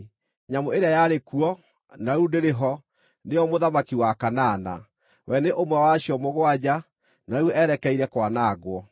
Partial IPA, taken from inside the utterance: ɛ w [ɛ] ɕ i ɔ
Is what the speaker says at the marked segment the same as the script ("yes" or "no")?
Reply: no